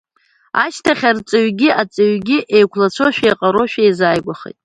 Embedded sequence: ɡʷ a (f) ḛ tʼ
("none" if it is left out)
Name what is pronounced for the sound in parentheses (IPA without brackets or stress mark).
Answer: χ